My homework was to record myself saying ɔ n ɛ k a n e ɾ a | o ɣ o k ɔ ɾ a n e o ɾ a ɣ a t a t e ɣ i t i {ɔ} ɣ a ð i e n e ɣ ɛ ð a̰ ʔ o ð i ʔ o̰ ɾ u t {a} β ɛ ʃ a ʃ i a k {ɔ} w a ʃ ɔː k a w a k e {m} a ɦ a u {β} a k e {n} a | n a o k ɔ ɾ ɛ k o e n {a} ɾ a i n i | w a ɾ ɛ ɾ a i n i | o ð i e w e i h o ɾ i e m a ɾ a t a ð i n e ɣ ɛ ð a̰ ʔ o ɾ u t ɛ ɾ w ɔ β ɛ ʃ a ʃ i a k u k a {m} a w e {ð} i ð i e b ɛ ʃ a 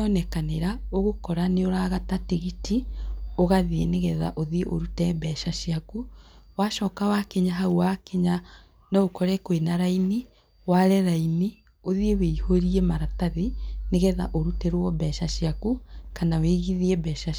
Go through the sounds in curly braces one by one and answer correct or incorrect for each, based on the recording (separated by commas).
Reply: incorrect, incorrect, incorrect, incorrect, incorrect, incorrect, correct, incorrect, incorrect